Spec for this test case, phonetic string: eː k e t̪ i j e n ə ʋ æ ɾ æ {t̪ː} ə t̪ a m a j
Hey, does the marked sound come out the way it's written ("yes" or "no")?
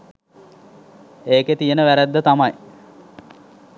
no